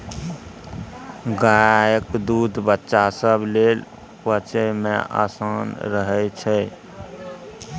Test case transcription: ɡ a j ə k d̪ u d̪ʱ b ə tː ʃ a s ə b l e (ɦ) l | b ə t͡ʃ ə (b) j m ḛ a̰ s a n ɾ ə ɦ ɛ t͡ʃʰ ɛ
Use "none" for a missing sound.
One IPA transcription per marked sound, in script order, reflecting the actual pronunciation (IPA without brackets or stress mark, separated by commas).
none, none